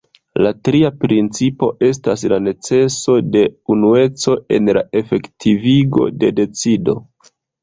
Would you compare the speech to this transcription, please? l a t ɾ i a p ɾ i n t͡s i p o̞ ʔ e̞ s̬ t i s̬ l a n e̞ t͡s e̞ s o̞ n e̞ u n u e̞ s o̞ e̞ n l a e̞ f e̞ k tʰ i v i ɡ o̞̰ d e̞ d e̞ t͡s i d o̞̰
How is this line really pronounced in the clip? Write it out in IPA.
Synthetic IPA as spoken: l a t ɾ i a p ɾ i n t͡s i p o̞ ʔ e̞ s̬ t a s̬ l a n e̞ t͡s e̞ s o̞ d e̞ u n u e̞ t͡s o̞ e̞ n l a e̞ f e̞ k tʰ i v i ɡ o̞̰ d e̞ d e̞ t͡s i d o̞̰